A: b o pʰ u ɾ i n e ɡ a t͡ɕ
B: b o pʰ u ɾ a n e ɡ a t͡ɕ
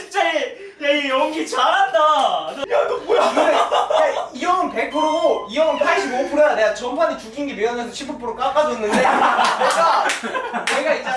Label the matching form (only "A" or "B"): B